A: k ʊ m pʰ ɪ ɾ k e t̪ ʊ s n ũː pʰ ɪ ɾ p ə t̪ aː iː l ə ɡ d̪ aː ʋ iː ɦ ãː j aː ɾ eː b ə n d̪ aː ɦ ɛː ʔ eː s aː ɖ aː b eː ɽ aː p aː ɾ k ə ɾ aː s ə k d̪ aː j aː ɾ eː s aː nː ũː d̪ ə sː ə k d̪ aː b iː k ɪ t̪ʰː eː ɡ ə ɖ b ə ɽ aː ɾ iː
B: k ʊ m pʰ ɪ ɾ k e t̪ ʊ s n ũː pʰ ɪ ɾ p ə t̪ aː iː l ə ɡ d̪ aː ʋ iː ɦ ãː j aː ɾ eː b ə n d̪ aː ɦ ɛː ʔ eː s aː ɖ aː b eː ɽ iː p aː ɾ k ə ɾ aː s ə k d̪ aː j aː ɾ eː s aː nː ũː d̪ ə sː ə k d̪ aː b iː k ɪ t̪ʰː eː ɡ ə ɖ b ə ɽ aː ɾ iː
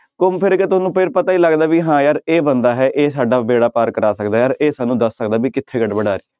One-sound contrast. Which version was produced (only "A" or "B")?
A